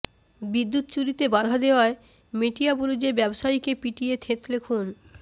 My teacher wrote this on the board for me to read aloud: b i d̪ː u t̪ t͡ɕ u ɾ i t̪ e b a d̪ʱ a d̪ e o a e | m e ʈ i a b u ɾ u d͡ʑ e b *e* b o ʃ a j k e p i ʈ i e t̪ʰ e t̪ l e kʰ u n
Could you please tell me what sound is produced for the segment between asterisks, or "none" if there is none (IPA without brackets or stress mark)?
ɛ